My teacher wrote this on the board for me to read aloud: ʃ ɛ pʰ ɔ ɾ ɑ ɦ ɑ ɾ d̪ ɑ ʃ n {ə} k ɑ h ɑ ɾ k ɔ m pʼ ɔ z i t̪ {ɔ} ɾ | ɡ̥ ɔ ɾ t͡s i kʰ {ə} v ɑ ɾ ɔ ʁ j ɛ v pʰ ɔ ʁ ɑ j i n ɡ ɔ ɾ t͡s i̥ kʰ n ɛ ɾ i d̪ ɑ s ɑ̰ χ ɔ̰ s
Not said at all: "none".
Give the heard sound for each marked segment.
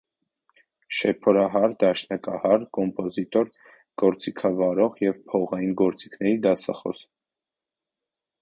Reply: ɑ, ɔ, ɑ

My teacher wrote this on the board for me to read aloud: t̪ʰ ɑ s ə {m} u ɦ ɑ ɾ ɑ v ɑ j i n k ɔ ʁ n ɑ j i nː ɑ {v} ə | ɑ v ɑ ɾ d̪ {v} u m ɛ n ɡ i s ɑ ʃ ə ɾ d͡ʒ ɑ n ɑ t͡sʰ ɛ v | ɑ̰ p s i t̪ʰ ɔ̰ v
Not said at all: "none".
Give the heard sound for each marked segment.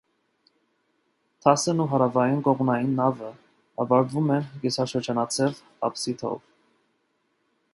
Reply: n, v, v

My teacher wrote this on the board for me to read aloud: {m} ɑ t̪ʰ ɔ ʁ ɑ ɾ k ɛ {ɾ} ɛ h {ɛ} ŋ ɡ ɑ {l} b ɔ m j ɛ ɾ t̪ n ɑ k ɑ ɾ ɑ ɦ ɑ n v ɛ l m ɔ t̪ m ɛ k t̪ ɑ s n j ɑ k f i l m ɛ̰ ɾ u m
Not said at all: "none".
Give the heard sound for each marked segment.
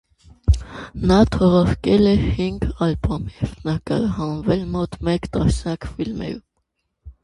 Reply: n, l, i, l

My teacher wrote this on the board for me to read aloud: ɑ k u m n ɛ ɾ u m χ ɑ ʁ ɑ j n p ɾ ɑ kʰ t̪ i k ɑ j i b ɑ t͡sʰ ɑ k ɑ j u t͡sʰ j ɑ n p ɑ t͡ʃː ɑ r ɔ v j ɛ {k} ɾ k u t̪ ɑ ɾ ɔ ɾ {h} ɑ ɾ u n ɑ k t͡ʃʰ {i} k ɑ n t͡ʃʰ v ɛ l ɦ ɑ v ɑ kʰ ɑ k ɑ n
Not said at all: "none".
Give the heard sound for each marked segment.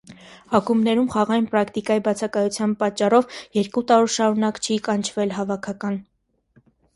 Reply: none, ʃ, i

